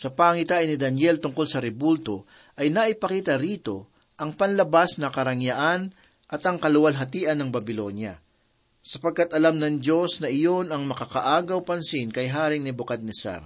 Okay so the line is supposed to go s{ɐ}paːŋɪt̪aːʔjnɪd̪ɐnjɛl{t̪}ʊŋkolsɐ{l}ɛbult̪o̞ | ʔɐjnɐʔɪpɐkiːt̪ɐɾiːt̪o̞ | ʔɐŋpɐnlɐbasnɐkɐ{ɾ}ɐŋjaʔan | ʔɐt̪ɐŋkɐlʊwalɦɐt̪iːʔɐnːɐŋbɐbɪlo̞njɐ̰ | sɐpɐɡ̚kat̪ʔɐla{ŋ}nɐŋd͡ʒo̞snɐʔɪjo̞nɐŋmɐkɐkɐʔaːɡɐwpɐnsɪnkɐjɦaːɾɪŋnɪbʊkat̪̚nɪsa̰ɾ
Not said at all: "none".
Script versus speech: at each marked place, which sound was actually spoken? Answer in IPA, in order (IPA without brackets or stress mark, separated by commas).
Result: ɐ, t̪, ɾ, ɾ, m